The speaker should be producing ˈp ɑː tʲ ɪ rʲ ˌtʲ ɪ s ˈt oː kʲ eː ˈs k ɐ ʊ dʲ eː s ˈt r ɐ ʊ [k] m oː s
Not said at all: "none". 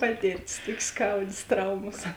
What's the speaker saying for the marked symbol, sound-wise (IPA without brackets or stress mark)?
none